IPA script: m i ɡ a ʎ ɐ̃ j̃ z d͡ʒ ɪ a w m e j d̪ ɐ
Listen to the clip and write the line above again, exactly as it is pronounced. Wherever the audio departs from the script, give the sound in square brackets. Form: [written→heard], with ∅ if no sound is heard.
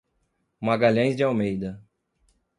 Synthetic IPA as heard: m [i→a] ɡ a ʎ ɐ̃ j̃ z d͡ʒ ɪ a w m e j d̪ ɐ

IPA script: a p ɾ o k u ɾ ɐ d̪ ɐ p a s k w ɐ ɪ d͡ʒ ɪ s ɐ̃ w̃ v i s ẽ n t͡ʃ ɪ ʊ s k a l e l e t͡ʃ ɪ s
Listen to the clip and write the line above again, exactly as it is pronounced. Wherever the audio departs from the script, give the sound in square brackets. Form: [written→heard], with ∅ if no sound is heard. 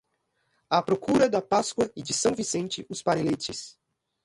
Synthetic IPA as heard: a p ɾ o k u ɾ ɐ d̪ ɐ p a s k w ɐ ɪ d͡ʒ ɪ s ɐ̃ w̃ v i s ẽ n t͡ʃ ɪ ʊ s [k→p] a [l→ɾ] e l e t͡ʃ ɪ s

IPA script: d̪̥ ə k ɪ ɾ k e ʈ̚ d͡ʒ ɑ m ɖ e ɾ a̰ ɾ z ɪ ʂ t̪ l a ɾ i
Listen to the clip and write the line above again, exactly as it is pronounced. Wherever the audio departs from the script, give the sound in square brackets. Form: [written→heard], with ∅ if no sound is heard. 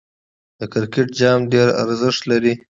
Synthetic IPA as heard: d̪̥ ə k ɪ ɾ k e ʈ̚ d͡ʒ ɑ m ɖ e ɾ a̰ ɾ z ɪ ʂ t̪ l a ɾ i

